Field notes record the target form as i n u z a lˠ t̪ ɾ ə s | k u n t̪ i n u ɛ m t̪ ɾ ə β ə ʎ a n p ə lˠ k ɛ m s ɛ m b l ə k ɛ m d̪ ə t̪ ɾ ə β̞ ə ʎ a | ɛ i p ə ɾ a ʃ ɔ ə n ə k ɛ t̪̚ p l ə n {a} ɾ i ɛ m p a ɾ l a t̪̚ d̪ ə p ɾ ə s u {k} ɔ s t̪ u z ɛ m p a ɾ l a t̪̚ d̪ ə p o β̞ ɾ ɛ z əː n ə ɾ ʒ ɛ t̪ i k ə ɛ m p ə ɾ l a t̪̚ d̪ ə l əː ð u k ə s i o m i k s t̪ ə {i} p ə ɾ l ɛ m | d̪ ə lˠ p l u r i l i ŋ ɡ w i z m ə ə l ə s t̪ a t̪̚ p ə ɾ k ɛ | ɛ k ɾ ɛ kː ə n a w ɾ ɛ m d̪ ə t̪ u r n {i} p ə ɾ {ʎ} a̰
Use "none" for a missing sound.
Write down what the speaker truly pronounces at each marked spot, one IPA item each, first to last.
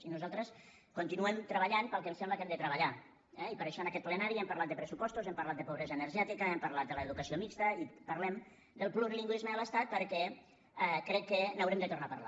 a, p, i, a, l

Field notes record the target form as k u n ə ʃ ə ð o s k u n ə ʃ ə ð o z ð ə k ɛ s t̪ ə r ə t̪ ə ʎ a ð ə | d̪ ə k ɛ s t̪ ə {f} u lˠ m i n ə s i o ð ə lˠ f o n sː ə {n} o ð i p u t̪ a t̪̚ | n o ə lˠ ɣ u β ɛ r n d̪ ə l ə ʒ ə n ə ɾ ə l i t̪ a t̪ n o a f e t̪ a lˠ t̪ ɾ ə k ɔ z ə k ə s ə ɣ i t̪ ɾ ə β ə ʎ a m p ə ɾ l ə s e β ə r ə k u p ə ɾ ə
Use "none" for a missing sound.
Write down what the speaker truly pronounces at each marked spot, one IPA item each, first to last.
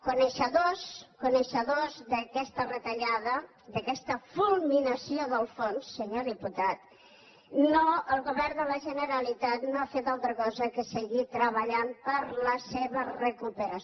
f, ɲ

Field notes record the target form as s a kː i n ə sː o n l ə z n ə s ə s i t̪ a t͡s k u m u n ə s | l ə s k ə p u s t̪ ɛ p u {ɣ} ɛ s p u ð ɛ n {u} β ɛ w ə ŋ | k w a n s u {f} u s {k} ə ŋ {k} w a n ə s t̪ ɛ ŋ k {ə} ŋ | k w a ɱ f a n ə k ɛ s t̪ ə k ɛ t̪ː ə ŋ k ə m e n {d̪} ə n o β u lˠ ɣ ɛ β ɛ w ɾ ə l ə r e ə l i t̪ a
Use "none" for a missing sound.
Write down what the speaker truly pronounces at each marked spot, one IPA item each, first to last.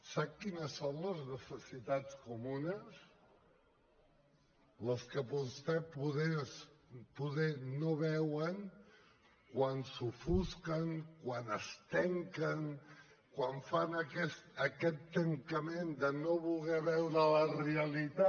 ð, o, f, k, k, ə, d̪

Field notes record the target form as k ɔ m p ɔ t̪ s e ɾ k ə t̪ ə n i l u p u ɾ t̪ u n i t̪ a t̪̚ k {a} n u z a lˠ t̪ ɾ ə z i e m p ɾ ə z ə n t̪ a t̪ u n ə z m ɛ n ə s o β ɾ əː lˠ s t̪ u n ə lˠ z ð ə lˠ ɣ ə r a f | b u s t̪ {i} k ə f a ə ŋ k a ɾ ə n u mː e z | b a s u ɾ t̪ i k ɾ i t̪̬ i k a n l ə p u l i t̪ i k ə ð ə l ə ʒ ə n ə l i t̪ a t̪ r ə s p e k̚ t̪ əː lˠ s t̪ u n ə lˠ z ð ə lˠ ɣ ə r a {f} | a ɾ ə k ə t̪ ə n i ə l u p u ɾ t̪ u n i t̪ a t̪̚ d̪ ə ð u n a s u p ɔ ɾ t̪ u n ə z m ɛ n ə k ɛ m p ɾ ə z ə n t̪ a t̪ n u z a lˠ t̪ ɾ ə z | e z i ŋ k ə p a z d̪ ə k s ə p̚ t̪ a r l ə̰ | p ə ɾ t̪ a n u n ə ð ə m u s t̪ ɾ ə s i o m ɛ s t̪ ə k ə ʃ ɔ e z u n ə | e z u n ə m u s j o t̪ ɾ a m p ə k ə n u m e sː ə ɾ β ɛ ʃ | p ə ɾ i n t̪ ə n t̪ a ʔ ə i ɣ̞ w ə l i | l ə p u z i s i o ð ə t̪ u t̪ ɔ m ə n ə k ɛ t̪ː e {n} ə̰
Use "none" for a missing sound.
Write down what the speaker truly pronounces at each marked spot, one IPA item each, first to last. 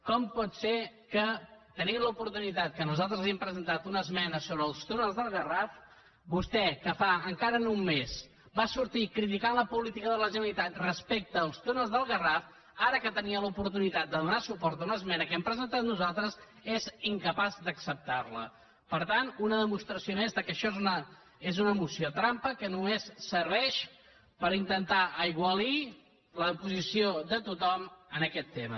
ə, ɛ, f, m

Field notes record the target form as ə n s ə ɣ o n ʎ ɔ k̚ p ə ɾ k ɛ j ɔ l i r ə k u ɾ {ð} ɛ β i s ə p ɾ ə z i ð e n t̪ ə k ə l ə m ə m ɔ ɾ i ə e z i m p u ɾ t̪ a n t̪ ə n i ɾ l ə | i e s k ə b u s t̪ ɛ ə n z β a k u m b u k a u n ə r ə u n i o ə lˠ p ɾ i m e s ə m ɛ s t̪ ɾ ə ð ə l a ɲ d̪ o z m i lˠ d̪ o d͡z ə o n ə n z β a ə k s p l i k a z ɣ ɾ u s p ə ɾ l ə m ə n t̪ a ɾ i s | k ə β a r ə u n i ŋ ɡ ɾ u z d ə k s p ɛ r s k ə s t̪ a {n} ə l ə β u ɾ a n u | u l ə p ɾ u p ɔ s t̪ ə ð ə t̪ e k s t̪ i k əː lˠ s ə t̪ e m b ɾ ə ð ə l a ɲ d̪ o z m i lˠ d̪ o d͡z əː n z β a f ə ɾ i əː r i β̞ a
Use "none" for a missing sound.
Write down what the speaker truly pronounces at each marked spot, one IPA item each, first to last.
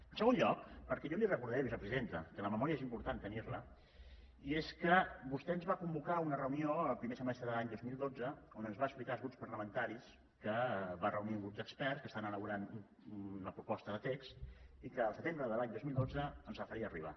ð, n

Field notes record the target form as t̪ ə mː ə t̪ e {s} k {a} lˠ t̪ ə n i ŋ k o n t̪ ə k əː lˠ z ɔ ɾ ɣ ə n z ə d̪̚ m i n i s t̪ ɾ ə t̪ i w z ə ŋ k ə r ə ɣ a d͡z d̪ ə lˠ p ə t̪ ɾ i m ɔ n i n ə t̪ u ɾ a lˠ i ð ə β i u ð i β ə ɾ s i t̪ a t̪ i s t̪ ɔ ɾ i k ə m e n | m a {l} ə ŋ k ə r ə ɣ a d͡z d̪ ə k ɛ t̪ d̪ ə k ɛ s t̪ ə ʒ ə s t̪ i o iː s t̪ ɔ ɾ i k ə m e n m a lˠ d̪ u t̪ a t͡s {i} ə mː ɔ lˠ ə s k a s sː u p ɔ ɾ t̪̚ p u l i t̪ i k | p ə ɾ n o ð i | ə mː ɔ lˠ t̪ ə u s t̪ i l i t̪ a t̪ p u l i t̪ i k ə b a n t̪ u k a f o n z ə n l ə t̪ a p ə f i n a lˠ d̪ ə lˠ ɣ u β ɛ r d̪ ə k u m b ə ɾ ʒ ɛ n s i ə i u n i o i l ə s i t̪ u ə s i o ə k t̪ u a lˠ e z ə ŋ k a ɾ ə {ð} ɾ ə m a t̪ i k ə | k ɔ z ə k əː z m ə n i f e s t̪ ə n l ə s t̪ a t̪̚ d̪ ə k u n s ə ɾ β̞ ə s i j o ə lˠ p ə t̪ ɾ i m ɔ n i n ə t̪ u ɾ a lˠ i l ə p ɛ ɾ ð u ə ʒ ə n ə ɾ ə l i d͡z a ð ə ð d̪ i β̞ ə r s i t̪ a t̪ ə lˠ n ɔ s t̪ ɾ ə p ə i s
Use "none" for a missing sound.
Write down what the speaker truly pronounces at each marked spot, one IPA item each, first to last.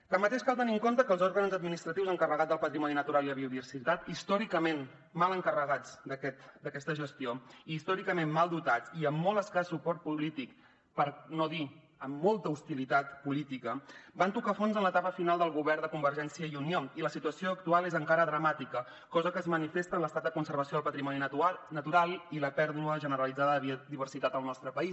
ʃ, a, l, i, ð

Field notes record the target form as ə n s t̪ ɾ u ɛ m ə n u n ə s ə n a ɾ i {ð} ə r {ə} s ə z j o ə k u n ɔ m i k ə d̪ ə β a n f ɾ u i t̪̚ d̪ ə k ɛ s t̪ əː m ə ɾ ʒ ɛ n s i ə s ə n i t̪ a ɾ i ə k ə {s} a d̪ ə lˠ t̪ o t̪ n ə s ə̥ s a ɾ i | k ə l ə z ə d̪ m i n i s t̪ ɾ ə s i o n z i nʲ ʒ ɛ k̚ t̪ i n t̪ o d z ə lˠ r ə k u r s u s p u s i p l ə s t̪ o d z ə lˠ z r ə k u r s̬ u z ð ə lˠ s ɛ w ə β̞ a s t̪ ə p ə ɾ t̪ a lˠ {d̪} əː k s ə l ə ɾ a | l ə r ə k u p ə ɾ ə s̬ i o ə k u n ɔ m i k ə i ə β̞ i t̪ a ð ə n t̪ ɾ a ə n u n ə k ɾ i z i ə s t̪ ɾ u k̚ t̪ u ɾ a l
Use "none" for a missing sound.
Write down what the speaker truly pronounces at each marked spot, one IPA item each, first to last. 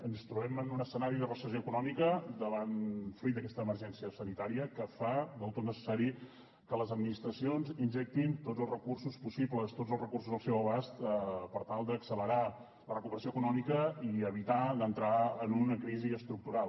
ð, ə, f, d̪

